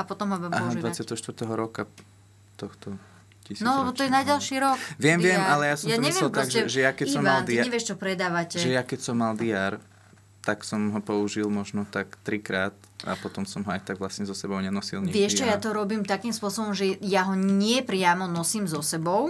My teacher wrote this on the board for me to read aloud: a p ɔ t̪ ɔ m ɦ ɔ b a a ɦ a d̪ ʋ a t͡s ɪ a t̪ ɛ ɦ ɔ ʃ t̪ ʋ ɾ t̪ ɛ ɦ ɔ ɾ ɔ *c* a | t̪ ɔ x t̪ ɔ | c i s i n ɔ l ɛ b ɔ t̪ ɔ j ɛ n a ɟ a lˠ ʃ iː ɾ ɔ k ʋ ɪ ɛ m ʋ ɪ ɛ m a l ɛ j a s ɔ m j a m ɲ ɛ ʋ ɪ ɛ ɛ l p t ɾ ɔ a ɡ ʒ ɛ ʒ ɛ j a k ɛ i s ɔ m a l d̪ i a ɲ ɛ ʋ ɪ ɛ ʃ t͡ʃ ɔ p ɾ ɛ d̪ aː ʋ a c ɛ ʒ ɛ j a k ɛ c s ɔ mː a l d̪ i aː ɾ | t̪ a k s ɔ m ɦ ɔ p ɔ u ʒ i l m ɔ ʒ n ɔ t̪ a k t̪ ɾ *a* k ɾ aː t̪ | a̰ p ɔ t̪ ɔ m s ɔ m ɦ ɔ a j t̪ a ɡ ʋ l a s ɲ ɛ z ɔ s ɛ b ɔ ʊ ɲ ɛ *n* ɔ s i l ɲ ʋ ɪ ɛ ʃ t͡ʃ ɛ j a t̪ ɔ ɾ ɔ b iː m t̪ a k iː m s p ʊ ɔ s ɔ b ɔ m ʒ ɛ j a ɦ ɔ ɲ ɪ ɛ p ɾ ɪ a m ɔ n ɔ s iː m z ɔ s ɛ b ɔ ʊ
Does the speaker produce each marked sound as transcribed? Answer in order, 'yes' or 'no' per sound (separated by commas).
no, no, yes